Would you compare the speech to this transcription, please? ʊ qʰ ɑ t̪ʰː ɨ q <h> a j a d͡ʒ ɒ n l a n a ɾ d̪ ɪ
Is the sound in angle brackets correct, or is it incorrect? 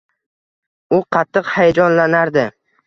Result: correct